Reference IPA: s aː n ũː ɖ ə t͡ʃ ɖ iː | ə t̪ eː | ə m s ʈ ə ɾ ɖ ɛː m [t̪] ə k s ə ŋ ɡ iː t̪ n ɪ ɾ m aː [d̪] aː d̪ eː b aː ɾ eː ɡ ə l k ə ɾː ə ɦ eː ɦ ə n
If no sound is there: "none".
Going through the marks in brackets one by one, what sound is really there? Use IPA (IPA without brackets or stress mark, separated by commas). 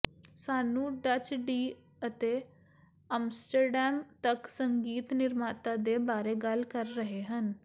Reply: t̪, t̪